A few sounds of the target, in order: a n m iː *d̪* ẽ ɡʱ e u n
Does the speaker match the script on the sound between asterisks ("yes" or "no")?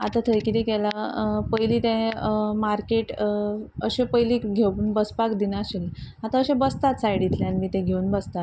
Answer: no